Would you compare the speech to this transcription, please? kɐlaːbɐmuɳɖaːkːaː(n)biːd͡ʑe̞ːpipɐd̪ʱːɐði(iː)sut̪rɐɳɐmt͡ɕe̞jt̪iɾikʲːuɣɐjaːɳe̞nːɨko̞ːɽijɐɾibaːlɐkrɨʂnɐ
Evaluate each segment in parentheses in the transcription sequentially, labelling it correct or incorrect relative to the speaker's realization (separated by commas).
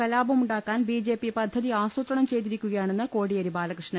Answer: correct, incorrect